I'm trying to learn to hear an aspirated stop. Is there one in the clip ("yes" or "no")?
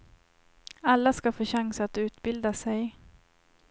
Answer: no